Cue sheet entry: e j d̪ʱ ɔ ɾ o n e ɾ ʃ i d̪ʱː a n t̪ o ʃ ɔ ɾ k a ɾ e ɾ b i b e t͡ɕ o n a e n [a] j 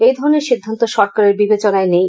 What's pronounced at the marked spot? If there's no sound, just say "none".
e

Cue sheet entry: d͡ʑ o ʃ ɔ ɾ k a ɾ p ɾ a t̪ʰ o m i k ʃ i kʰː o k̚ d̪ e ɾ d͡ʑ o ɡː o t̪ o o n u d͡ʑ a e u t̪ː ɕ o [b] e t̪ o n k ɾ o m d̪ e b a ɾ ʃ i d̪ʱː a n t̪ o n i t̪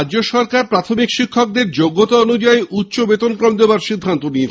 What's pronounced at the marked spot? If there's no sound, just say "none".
b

